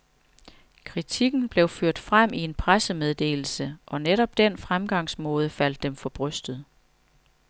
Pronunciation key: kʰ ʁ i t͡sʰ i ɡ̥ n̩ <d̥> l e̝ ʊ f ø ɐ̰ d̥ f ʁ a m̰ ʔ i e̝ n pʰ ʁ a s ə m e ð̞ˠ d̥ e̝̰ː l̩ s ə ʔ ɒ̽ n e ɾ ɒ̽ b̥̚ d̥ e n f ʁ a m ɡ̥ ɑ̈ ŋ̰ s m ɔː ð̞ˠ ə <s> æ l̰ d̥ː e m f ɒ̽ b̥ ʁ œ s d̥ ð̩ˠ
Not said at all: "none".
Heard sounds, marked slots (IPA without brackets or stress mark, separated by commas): b̥, f